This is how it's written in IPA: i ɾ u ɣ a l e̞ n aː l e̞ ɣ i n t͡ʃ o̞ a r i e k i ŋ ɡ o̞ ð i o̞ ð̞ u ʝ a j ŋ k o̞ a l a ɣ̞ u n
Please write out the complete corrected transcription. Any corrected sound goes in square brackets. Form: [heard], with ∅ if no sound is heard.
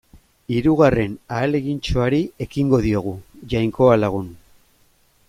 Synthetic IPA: i ɾ u ɣ a [r] e̞ n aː l e̞ ɣ i n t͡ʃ o̞ a [ɾ] i e k i ŋ ɡ o̞ ð i o̞ [ɣ̞] u ʝ a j ŋ k o̞ a l a ɣ̞ u n